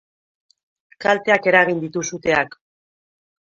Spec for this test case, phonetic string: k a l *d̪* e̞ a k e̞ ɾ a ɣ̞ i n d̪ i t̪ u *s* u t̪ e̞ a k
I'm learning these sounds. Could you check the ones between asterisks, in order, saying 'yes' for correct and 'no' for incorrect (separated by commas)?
no, yes